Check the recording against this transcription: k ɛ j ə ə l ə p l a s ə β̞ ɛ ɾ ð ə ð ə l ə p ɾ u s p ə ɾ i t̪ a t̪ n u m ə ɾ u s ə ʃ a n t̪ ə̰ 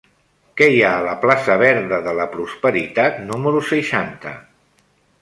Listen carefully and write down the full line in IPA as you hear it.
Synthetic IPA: k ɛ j a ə l ə p l a s ə β̞ ɛ ɾ ð ə ð ə l ə p ɾ u s p ə ɾ i t̪ a t̪ n u m ə ɾ u s ə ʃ a n t̪ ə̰